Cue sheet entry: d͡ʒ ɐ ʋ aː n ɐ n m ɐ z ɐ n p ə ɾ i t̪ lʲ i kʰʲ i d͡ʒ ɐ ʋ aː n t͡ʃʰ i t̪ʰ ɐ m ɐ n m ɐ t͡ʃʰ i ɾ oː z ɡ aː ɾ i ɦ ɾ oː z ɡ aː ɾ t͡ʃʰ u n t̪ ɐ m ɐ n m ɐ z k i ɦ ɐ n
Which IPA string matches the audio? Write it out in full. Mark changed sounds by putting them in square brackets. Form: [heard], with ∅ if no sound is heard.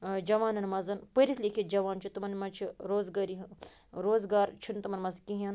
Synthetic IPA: d͡ʒ ɐ ʋ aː n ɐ n m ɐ z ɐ n p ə ɾ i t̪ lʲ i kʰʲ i d͡ʒ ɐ ʋ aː n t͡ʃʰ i [t̪] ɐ m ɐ n m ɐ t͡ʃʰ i ɾ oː z ɡ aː ɾ i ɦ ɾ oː z ɡ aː ɾ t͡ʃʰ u n t̪ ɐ m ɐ n m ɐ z k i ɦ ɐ n